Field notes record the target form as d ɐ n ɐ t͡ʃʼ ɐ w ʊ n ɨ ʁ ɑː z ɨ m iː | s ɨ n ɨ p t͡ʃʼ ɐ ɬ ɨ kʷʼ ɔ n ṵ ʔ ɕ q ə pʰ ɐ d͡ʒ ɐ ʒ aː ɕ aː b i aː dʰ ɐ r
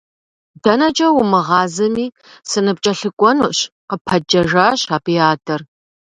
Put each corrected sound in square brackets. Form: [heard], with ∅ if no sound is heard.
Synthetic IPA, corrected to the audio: d ɐ n ɐ t͡ʃʼ ɐ w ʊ [m] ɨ ʁ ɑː z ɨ m iː | s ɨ n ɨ p t͡ʃʼ ɐ ɬ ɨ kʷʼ ɔ n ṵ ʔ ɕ q ə pʰ ɐ d͡ʒ ɐ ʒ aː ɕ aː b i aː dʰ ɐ r